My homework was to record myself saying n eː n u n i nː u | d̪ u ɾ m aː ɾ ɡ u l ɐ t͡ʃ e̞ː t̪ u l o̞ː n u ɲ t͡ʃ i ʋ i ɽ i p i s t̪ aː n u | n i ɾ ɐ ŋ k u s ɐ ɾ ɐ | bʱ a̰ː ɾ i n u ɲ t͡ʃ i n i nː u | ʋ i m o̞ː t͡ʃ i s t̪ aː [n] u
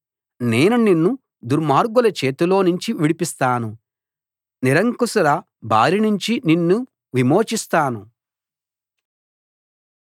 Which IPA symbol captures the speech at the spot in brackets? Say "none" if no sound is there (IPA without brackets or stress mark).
n